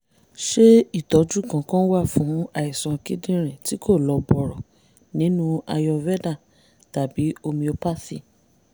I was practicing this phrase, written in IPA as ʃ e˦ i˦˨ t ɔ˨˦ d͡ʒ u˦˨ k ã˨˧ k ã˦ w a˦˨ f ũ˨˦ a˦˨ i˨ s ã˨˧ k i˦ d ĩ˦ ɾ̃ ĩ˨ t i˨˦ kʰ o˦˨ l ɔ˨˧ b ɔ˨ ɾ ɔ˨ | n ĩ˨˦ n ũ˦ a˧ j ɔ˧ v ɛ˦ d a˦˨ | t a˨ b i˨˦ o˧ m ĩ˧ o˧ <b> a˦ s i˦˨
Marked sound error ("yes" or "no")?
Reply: yes